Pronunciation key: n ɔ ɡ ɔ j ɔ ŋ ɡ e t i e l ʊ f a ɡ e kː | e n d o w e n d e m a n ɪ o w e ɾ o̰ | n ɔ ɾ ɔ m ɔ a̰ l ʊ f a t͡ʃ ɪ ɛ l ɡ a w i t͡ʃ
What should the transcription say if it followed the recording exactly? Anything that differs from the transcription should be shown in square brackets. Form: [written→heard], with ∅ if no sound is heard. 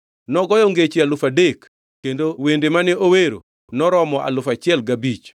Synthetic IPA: n ɔ ɡ ɔ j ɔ ŋ ɡ e [t→t͡ʃ] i [e→a] l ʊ f a [ɡ→d] e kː | e n d o w e n d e m a n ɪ o w e ɾ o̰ | n ɔ ɾ ɔ m ɔ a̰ l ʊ f a t͡ʃ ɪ ɛ l ɡ a [w→b] i t͡ʃ

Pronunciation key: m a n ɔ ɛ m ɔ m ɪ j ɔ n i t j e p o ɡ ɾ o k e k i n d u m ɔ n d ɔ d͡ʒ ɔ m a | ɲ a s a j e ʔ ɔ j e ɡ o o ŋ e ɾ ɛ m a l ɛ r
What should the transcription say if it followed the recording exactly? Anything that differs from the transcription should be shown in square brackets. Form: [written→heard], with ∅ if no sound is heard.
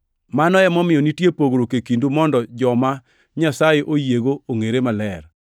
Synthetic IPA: m a n ɔ ɛ m ɔ m ɪ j ɔ n i t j e p o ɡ ɾ o k e k i n d u m ɔ n d ɔ d͡ʒ ɔ m a | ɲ a s a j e ʔ [ɔ→o] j e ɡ o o ŋ e ɾ [ɛ→e] m a l ɛ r

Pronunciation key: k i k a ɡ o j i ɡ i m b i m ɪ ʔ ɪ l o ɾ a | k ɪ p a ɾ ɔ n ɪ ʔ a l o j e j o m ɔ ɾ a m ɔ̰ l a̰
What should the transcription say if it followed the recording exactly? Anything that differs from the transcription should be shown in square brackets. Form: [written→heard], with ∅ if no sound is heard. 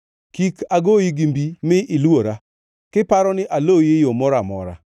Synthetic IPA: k i k a ɡ o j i ɡ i m b i m ɪ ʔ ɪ l o ɾ a | k ɪ p a ɾ ɔ n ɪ ʔ a l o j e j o m ɔ ɾ a m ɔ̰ [l→ɾ] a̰

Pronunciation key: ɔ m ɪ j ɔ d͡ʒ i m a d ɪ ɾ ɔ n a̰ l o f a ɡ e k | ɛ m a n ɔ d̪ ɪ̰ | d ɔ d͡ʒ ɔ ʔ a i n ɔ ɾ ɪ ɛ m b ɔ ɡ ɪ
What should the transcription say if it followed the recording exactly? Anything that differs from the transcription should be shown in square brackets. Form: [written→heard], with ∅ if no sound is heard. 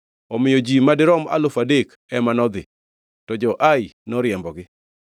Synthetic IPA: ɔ m ɪ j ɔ d͡ʒ i m a d ɪ ɾ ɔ [n→m] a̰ l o f a [ɡ→d] e k | ɛ m a n ɔ d̪ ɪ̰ | [d→t] ɔ d͡ʒ ɔ ʔ a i n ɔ ɾ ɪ ɛ m b ɔ ɡ ɪ

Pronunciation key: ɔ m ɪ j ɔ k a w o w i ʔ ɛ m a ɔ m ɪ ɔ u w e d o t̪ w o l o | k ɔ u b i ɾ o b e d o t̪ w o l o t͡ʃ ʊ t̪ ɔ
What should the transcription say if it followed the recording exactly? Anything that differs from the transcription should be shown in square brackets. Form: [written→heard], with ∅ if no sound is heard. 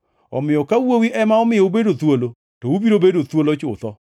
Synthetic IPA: ɔ m ɪ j ɔ k a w o w i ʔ ɛ m a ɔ m ɪ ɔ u [w→b] e d o t̪ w o l o | [k→t] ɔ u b i ɾ o b e d o t̪ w o l o t͡ʃ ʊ t̪ ɔ

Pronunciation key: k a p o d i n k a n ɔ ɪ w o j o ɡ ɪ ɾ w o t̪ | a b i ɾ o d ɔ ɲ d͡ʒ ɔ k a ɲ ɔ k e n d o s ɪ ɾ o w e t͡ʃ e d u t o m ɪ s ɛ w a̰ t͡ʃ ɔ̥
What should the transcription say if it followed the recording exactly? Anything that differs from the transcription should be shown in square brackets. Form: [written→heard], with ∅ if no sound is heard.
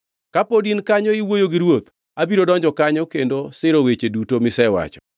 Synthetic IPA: k a p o d i n k a [n→ɲ] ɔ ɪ w o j o ɡ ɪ ɾ w o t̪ | a b i ɾ o d ɔ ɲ d͡ʒ ɔ k a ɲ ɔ k e n d o s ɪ ɾ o w e t͡ʃ e d u t o m ɪ s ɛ w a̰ t͡ʃ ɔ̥

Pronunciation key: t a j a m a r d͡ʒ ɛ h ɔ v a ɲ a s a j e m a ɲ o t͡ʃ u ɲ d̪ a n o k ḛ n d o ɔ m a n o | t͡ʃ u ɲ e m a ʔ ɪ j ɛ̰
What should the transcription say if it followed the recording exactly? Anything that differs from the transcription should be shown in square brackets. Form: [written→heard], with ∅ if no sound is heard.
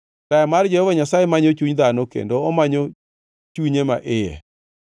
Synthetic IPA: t a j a m a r d͡ʒ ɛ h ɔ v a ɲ a s a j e m a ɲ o t͡ʃ u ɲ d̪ a n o k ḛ n d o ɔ m a [n→ɲ] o | t͡ʃ u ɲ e m a ʔ ɪ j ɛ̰

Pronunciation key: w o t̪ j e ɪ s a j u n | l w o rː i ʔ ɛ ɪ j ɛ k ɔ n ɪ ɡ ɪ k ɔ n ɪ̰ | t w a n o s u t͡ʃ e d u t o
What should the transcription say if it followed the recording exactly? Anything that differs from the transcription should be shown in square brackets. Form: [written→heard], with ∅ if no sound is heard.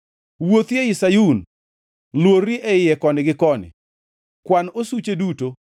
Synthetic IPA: w o t̪ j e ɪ s a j u n | l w o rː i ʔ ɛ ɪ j ɛ k ɔ n ɪ ɡ ɪ k ɔ n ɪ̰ | [t→k] w a n o s u t͡ʃ e d u t o

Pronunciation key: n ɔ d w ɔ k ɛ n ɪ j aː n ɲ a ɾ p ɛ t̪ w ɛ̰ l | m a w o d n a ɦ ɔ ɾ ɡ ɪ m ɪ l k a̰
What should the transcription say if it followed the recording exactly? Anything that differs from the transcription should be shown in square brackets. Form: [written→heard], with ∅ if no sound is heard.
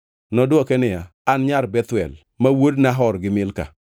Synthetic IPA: n ɔ d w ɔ k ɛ n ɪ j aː n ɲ a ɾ [p→b] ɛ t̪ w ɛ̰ l | m a w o d n a ɦ ɔ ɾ ɡ ɪ m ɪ l k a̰

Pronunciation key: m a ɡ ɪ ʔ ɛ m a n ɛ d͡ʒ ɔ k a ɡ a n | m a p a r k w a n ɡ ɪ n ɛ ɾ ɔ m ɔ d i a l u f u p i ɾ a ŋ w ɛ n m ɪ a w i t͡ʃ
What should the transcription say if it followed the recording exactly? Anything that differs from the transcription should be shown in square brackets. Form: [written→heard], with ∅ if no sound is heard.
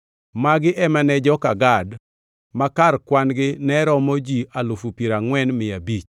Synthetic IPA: m a ɡ ɪ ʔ ɛ m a n ɛ d͡ʒ ɔ k a ɡ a [n→d] | m a [p→k] a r k w a n ɡ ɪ n ɛ ɾ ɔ m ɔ [d→d͡ʒ] i a l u f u p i ɾ a ŋ w ɛ n m ɪ a [w→b] i t͡ʃ

